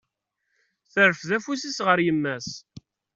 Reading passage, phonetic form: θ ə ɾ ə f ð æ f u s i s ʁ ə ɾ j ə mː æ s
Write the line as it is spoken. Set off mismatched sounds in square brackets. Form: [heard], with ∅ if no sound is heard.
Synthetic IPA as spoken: θ ə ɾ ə f ð æ f u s i s ʁ ə ɾ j ə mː æ s